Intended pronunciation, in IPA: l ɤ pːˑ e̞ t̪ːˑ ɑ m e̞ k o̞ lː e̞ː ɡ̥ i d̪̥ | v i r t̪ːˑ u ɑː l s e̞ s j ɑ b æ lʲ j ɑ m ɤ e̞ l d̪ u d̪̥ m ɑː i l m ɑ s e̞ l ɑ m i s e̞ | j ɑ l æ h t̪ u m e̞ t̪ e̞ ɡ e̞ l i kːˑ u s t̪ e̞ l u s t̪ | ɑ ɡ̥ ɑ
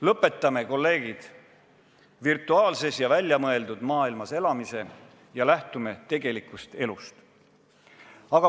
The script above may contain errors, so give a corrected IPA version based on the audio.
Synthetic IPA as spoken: l ɤ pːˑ e̞ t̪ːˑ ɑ m e̞ k o̞ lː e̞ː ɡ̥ i d̪̥ | v i r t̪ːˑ u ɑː l s e̞ s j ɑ v æ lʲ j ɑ m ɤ e̞ l d̪ u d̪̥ m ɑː i l m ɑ s e̞ l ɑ m i s e̞ | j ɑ l æ h t̪ u m e̞ t̪ e̞ ɡ e̞ l i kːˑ u s t̪ e̞ l u s t̪ | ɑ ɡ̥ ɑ